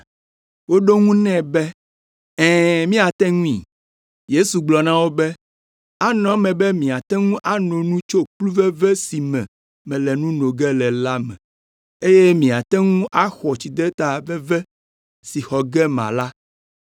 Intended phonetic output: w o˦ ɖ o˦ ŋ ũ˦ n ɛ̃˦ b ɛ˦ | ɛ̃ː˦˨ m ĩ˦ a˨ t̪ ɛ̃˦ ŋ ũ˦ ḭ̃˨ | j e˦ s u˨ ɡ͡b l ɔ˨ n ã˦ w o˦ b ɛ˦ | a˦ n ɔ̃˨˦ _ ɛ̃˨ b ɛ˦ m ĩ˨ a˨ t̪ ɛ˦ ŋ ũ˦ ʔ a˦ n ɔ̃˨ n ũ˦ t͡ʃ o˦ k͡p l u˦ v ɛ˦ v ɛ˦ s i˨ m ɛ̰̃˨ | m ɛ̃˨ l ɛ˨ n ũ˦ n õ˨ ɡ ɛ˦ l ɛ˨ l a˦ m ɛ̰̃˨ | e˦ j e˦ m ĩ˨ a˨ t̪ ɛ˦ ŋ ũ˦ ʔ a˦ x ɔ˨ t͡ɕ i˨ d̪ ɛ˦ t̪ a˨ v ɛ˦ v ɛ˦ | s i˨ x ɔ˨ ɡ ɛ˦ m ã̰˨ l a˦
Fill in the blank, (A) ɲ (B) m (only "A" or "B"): B